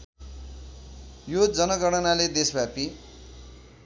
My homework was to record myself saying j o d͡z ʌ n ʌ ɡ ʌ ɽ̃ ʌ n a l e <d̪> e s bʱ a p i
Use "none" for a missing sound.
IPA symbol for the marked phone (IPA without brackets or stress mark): d̪